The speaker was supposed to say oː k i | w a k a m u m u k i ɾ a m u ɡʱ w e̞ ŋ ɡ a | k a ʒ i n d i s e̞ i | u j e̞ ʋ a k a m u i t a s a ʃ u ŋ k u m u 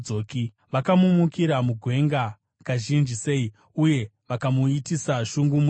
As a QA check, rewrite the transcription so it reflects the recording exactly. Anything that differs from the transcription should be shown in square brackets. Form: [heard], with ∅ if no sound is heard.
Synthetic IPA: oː k i | [ʋ] a k a m u m u k i ɾ a m u ɡʱ w e̞ ŋ ɡ a | k a ʒ i n [d͡ʒ] i s e̞ i | u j e̞ ʋ a k a m u i t [i] s a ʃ u ŋ [ɡ] u m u